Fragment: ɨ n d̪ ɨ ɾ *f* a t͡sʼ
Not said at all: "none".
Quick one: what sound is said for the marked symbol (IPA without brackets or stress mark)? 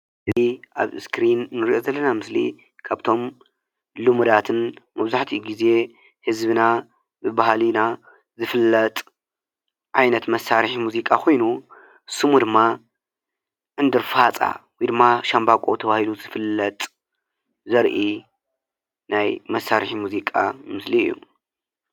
f